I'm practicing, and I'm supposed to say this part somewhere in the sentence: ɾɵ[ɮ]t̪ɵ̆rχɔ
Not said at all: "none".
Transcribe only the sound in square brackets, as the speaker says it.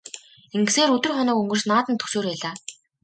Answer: none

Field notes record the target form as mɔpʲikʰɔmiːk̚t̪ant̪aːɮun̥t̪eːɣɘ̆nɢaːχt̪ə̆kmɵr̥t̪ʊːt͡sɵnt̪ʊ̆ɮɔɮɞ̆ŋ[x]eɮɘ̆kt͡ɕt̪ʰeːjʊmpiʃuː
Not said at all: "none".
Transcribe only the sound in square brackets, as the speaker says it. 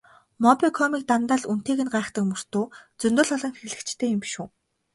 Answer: x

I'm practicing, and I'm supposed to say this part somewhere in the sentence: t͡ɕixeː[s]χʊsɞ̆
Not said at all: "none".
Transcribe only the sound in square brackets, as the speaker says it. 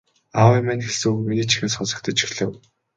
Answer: s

